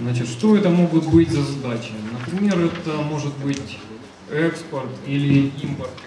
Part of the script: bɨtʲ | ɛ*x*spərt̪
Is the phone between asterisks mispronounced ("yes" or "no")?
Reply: yes